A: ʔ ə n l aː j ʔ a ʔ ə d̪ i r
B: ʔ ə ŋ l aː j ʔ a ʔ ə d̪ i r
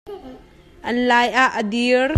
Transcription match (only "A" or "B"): A